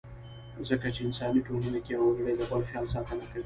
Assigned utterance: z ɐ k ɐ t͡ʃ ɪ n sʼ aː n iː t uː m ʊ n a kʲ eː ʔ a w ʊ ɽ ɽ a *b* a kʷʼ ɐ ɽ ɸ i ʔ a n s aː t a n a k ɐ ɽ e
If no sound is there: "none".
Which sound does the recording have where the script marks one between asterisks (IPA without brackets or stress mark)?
d